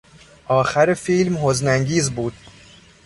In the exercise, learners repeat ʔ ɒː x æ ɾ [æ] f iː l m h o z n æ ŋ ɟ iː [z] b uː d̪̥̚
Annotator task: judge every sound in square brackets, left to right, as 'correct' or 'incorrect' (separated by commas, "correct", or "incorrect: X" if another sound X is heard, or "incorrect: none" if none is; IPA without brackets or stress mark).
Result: incorrect: e, correct